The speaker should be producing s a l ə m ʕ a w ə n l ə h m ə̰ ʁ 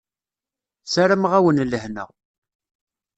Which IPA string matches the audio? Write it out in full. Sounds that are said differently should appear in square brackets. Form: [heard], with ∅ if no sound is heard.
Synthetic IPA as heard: s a [ɾ] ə m [ʁ] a w ə n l ə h [n] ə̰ ʁ